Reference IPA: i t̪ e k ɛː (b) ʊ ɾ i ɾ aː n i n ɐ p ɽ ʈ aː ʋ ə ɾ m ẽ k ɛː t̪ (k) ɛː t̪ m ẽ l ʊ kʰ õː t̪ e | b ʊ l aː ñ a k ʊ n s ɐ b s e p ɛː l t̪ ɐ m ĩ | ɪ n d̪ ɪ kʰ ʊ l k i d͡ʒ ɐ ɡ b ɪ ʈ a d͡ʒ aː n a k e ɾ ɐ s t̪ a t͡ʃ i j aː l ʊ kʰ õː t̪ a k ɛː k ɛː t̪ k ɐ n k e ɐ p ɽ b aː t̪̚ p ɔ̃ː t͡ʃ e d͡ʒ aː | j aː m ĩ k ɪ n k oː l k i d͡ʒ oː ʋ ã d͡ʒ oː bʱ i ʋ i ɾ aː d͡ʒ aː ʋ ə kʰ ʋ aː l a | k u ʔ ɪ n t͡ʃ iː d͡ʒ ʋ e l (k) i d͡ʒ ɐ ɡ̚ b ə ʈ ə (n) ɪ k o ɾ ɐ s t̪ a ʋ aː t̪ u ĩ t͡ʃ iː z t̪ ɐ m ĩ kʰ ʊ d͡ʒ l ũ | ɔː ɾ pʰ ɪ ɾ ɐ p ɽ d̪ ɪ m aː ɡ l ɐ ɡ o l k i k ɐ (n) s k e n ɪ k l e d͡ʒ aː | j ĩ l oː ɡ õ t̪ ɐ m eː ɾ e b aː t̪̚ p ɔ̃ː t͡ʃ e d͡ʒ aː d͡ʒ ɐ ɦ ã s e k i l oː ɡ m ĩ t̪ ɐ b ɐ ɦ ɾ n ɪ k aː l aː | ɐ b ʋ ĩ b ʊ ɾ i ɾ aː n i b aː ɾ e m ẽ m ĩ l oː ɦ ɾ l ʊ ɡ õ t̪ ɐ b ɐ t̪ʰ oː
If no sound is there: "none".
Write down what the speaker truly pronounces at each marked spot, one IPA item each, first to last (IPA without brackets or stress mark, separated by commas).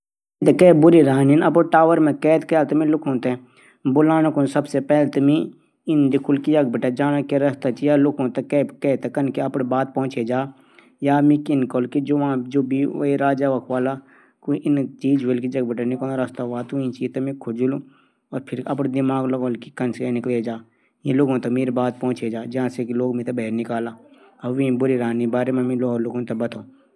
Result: b, k, k, n, n